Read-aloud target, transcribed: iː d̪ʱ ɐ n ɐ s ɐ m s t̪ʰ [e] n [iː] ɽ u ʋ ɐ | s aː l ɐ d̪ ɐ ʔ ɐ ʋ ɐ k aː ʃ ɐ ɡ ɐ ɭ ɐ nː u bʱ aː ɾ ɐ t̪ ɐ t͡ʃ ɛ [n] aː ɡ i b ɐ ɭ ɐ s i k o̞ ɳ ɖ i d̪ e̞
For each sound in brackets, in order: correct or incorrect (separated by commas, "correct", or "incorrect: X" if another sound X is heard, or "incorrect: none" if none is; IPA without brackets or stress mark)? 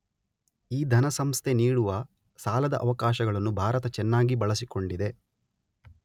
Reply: correct, correct, incorrect: nː